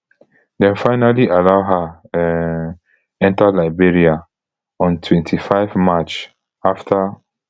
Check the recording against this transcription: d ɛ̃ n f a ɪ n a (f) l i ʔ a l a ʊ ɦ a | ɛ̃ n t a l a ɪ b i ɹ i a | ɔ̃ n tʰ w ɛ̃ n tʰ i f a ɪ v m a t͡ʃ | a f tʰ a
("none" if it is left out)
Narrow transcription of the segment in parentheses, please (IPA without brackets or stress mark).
none